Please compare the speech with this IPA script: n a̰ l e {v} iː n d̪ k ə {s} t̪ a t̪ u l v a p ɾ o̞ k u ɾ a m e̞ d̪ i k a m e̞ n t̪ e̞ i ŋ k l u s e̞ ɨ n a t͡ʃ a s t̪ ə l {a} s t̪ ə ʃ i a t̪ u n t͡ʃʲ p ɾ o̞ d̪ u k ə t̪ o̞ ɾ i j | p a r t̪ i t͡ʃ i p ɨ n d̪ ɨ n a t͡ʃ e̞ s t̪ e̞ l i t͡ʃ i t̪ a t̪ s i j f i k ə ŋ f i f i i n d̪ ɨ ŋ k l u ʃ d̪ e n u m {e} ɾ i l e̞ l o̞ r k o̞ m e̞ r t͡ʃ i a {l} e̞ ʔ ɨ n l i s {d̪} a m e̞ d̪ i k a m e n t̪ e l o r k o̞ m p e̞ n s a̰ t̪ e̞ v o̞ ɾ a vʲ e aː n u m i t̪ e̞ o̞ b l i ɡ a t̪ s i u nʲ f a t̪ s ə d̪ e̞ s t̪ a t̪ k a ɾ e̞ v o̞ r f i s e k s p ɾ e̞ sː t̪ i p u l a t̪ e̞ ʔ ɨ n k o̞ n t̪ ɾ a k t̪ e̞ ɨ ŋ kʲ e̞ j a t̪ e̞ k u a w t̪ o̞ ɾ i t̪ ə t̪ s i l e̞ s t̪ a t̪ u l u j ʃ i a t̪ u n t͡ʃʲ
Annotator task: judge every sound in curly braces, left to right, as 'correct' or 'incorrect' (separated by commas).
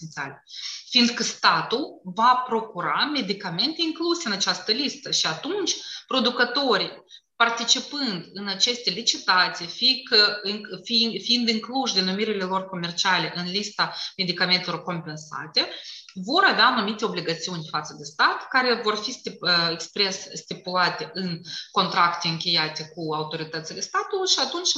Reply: incorrect, correct, incorrect, incorrect, correct, incorrect